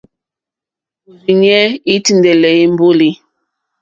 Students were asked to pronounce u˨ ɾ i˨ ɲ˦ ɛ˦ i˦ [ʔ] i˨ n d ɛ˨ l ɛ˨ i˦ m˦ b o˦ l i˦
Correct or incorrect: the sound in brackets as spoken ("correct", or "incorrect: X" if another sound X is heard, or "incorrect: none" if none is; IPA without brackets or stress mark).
incorrect: t